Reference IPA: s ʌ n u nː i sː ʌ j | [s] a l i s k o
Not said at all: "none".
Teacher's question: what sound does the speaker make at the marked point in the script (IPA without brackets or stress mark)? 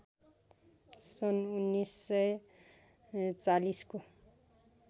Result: t͡s